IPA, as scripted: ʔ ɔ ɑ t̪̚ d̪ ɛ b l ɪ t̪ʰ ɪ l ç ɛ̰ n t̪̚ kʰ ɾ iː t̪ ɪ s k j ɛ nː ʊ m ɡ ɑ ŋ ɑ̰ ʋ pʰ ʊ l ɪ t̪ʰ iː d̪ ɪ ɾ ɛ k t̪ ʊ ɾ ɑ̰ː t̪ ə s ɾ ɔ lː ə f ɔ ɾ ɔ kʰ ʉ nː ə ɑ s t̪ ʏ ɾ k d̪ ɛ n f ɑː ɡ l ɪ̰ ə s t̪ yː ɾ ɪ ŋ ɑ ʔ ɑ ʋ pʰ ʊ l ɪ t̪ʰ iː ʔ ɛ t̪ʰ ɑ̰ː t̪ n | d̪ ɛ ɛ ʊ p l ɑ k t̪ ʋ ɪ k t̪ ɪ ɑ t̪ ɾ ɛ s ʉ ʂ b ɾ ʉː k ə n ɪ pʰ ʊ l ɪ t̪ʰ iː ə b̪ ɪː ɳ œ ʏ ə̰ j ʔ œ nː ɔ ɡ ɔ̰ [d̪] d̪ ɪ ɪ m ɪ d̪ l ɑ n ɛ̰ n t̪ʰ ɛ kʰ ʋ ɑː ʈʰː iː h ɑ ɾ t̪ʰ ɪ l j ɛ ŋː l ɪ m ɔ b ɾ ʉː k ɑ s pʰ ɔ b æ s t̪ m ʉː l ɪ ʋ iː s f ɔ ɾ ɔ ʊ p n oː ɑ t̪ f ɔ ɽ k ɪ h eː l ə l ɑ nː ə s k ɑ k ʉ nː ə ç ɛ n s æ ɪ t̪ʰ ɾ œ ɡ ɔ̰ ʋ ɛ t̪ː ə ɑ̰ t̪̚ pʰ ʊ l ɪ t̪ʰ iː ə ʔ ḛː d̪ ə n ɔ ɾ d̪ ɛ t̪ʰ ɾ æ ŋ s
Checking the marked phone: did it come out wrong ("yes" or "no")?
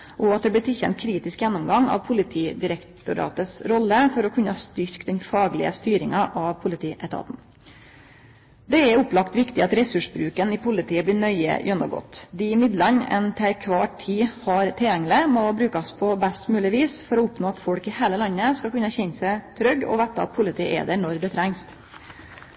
yes